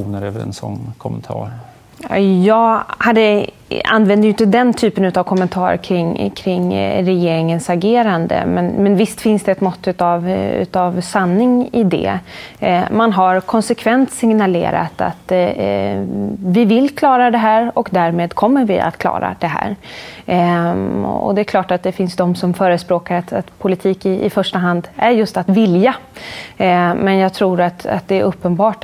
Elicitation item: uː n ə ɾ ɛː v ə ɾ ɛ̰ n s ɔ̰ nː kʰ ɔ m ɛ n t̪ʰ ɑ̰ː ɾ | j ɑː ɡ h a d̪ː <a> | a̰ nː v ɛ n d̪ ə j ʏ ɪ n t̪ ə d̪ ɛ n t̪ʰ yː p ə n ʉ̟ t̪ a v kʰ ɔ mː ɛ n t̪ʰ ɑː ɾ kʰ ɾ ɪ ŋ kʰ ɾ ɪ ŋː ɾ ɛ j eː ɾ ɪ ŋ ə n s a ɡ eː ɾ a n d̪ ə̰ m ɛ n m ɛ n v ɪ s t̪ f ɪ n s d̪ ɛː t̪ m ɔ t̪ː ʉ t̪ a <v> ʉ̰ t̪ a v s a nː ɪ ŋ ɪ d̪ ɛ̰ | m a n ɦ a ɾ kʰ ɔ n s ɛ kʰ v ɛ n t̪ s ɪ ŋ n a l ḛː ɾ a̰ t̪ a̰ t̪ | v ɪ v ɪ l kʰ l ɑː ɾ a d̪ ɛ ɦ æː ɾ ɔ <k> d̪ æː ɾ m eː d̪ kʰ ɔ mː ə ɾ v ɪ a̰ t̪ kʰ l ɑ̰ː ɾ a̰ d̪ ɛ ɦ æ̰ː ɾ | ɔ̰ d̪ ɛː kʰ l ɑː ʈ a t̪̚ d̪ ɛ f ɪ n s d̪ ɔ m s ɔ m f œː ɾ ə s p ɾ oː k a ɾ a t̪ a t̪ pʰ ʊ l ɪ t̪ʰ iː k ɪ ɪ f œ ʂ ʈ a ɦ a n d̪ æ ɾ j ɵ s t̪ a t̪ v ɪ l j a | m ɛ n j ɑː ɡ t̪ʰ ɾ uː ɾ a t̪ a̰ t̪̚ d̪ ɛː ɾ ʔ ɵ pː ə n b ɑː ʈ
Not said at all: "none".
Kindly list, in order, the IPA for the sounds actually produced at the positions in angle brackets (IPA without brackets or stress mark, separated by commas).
ə, v, k